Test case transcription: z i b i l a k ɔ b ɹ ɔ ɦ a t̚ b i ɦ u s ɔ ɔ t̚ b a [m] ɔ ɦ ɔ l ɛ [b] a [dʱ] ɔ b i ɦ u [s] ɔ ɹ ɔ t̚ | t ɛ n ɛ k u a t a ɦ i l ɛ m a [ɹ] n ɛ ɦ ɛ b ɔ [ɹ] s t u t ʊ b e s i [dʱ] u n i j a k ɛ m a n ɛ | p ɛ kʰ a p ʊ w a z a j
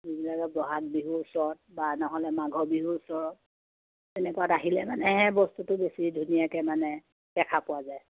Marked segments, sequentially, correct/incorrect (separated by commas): incorrect, incorrect, incorrect, correct, incorrect, incorrect, correct